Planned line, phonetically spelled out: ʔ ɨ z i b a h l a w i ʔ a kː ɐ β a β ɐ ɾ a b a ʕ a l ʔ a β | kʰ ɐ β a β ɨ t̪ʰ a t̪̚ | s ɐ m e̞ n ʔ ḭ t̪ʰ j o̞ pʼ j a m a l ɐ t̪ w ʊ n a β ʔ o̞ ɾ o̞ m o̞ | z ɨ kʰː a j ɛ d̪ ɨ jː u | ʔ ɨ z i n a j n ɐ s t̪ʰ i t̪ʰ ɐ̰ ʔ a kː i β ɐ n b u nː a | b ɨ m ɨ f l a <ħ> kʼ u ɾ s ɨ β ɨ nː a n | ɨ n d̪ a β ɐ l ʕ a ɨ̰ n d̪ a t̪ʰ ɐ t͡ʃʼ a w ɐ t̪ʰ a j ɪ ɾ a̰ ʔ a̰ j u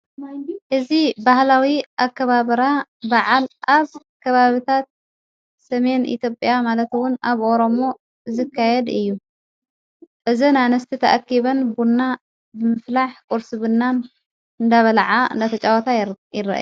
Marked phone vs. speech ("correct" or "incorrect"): correct